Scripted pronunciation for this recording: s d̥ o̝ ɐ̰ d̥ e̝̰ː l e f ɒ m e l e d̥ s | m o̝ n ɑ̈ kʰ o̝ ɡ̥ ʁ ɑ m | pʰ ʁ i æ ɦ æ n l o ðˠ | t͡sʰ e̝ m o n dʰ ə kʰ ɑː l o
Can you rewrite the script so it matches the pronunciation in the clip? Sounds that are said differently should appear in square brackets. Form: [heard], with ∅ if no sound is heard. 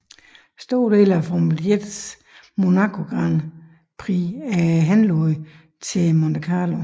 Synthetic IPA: s d̥ o̝ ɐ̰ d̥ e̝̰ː l [æ] f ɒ m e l e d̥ s | m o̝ n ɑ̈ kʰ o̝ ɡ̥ ʁ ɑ [n] | pʰ ʁ i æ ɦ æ n l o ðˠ | t͡sʰ e̝ m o n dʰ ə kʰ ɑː l o